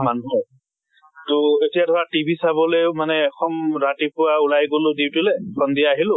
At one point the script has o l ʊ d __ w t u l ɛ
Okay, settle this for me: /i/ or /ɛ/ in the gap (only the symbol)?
i